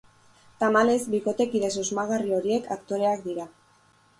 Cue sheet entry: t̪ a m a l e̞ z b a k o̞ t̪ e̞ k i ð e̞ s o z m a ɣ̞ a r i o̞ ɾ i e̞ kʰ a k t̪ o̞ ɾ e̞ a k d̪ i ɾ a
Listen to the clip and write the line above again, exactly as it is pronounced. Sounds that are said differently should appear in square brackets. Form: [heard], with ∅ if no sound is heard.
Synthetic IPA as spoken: t̪ a m a l e̞ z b [i] k o̞ t̪ e̞ k i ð e̞ s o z m a ɣ̞ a r i o̞ ɾ i e̞ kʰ a k t̪ o̞ ɾ e̞ a k d̪ i ɾ a